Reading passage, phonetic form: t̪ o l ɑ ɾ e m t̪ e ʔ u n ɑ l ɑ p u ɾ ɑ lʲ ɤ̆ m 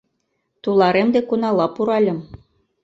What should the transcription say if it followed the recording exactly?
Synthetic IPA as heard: t̪ u l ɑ ɾ e m d̪ e k u n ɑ l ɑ p u ɾ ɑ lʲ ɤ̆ m